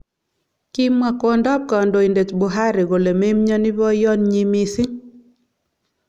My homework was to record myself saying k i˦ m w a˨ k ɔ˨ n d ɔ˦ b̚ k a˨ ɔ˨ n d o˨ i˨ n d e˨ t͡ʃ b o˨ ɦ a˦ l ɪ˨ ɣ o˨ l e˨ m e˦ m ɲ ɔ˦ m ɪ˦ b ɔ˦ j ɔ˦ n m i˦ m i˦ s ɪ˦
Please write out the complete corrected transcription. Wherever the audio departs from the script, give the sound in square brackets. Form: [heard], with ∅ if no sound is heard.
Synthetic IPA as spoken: k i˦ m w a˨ k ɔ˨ n d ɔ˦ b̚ k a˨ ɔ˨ n d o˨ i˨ n d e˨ t͡ʃ b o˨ ɦ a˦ [ɾ] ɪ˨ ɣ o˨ l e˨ m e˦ m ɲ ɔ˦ [n] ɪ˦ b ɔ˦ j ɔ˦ n [ɲ] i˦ m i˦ s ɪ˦